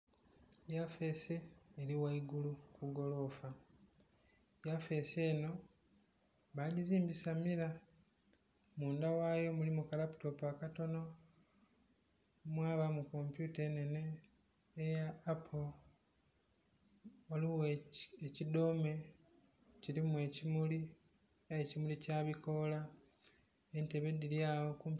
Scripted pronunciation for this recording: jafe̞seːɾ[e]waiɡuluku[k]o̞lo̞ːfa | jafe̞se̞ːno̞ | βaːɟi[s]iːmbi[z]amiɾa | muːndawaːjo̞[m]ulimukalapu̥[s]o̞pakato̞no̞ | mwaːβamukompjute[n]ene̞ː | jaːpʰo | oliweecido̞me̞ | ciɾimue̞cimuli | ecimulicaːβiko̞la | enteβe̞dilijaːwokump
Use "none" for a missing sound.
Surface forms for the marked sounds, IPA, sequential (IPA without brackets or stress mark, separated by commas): i, ɡ, z, s, m, t, n